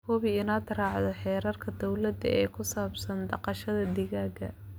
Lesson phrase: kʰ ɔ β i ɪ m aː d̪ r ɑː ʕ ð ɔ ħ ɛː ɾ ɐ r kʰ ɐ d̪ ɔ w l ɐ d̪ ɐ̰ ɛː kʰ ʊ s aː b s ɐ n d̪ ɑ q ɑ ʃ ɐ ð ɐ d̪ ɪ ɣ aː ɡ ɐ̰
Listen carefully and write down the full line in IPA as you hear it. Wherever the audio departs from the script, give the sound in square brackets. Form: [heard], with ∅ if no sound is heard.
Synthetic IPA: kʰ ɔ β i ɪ [n] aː d̪ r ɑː ʕ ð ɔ ħ ɛː ɾ ɐ r kʰ ɐ d̪ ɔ w l ɐ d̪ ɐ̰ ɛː kʰ ʊ s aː b s ɐ n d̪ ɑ q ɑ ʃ ɐ ð ɐ d̪ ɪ ɣ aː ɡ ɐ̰